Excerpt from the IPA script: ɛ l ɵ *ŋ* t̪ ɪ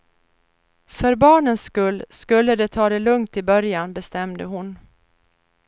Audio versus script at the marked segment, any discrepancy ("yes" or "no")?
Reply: no